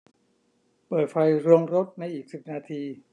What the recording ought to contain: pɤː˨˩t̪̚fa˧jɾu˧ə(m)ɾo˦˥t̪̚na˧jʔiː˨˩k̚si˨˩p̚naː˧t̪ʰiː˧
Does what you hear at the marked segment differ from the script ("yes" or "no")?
yes